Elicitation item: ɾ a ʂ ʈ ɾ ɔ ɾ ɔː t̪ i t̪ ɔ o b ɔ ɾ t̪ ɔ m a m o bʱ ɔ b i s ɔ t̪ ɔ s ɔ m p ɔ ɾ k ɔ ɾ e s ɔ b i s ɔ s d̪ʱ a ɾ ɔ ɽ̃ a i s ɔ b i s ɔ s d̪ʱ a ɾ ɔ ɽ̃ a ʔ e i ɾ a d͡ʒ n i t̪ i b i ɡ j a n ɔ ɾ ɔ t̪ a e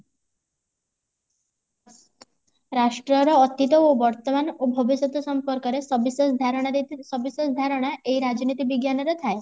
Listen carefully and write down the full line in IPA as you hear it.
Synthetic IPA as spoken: ɾ a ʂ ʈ ɾ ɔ ɾ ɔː t̪ i t̪ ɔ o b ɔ ɾ t̪ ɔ m a n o bʱ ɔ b i s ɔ t̪ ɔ s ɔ m p ɔ ɾ k ɔ ɾ e s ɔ b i s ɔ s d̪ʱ a ɾ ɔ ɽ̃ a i s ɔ b i s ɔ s d̪ʱ a ɾ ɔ ɽ̃ a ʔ e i ɾ a d͡ʒ n i t̪ i b i ɡ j a n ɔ ɾ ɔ t̪ʰ a e

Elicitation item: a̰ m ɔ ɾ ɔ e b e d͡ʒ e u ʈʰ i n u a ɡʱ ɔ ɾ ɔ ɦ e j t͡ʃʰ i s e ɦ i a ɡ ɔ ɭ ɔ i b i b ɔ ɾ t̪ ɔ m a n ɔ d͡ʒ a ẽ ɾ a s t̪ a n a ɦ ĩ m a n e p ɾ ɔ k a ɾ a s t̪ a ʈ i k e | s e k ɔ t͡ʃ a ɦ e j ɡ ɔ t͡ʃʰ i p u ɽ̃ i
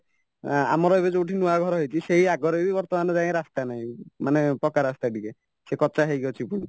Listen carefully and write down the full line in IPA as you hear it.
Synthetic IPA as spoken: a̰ m ɔ ɾ ɔ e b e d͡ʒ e u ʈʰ i n u a ɡʱ ɔ ɾ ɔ ɦ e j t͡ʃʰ i s e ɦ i a ɡ ɔ ɾ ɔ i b i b ɔ ɾ t̪ ɔ m a n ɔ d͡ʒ a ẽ ɾ a s t̪ a n a ɦ ĩ m a n e p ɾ ɔ k a ɾ a s t̪ a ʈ i k e | s e k ɔ t͡ʃ a ɦ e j ɡ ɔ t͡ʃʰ i p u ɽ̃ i

